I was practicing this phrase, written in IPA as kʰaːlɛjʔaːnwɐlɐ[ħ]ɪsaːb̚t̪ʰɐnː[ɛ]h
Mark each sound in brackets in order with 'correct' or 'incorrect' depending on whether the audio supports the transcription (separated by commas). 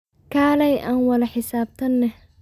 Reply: correct, correct